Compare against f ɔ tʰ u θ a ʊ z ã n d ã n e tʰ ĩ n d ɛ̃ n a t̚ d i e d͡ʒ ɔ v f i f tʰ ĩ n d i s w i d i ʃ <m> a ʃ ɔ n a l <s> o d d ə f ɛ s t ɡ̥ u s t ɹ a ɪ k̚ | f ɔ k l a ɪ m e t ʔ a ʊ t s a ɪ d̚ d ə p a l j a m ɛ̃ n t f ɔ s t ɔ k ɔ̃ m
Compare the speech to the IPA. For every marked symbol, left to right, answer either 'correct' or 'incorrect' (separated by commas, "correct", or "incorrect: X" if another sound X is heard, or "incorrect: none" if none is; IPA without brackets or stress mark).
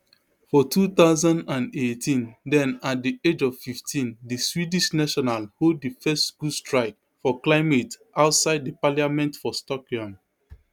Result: incorrect: n, incorrect: h